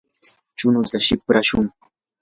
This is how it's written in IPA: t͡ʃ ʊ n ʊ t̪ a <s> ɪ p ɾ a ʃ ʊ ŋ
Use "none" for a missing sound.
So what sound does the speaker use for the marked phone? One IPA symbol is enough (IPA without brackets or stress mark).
ʃ